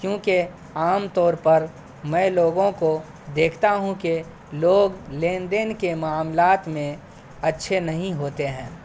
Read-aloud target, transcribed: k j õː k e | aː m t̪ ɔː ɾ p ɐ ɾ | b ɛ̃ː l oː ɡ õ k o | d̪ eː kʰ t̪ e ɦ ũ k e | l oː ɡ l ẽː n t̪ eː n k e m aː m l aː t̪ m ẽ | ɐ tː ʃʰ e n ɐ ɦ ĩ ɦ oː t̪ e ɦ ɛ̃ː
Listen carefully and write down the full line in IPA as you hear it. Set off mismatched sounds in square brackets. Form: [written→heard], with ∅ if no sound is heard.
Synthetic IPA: k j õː k e | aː m t̪ ɔː ɾ p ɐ ɾ | [b→m] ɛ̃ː l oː ɡ õ k o | d̪ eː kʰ t̪ [e→a] ɦ ũ k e | l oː ɡ l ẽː n [t̪→d̪] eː n k e m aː m l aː t̪ m ẽ | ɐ tː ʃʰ e n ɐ ɦ ĩ ɦ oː t̪ e ɦ ɛ̃ː